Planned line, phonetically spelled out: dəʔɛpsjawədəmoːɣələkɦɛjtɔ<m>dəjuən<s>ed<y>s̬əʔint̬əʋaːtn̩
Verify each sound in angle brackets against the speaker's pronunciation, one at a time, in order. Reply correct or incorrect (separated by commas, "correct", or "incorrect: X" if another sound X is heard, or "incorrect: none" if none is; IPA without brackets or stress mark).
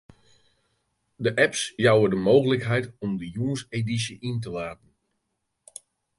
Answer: correct, correct, incorrect: i